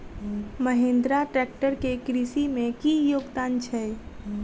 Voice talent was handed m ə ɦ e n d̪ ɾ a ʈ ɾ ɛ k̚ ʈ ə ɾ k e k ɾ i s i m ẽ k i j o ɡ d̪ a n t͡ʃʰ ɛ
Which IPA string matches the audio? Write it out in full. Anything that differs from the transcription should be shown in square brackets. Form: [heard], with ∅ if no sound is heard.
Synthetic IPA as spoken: m ə ɦ e n d̪ ɾ a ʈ ɾ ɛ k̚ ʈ ə ɾ k e k ɾ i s i m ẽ k i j o ɡ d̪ a n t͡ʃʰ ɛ